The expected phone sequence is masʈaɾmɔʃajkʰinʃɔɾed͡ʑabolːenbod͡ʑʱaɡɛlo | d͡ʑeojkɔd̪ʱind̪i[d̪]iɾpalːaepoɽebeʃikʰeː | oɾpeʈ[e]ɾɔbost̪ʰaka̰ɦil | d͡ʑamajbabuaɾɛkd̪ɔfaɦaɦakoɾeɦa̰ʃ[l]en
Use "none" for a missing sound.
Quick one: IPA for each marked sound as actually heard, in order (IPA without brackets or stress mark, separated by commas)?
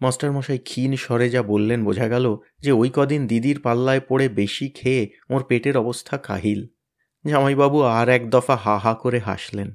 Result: d̪, e, l